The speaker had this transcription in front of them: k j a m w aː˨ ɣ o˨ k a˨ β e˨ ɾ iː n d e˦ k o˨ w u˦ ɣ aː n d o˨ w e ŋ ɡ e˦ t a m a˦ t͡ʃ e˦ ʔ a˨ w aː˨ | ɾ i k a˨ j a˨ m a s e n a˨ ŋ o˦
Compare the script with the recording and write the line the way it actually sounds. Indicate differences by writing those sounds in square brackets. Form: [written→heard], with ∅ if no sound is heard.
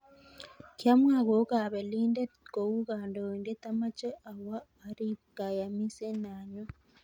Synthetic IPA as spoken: k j a m w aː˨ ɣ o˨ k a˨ β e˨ [ɾ→l] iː n d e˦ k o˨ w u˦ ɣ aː n d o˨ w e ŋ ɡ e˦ t a m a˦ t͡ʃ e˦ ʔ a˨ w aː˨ | ɾ i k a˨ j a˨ m [a→i] s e n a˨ [ŋ→ɲ] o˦